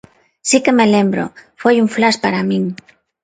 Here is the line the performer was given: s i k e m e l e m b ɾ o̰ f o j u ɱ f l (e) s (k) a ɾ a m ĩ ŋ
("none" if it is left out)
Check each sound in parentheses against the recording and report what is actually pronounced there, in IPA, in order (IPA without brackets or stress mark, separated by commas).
a, p